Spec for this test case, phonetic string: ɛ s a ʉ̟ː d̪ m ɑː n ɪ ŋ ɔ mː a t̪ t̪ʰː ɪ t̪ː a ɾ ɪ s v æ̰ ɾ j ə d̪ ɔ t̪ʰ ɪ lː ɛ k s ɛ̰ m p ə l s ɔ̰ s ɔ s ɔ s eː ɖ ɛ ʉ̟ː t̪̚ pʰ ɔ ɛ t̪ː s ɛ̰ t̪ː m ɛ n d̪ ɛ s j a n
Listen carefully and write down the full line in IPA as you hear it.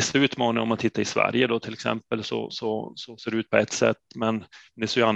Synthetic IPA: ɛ s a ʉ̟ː t̪ m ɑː n ɪ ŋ ɔ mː a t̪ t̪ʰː ɪ t̪ː a ɾ ɪ s v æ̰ ɾ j ə d̪ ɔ t̪ʰ ɪ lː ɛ k s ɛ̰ m p ə l s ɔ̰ s ɔ s ɔ s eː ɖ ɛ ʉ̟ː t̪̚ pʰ ɔ ɛ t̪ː s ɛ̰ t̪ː m ɛ n d̪ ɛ s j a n